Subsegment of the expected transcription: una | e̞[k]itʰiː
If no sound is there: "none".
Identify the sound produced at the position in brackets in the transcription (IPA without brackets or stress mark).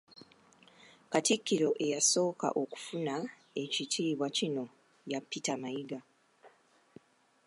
c